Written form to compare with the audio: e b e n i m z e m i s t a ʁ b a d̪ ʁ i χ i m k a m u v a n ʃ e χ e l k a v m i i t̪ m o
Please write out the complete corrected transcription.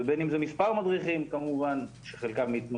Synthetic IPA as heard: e b e n i m z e m i s p a ʁ m a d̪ ʁ i χ i m k a m u v a n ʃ e χ e l k a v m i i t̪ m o